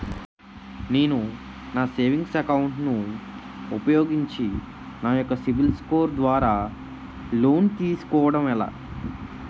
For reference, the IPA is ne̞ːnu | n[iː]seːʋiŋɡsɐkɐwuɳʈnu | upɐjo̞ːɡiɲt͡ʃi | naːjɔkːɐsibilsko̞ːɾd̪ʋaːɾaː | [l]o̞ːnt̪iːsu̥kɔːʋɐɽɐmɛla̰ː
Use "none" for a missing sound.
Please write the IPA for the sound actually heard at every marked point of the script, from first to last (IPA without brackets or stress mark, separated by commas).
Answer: aː, l